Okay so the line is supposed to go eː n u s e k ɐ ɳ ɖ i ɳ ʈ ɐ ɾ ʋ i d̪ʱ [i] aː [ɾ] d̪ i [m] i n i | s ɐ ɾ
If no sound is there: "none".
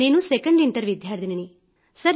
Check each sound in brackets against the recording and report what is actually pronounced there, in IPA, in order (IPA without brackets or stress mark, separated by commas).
j, ɾ, n